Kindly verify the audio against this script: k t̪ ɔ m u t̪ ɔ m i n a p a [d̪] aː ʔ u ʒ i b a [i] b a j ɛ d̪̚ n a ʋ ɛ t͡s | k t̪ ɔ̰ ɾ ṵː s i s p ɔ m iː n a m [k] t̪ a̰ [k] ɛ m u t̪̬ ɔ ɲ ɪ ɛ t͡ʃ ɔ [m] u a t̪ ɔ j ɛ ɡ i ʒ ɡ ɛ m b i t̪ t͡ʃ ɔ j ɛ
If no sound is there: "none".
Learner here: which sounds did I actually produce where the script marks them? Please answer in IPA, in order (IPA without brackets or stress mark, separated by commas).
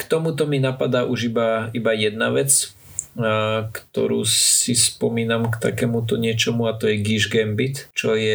d̪, i, k, k, m